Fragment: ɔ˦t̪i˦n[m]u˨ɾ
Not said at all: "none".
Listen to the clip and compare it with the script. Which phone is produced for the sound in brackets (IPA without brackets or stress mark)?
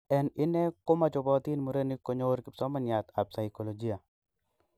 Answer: m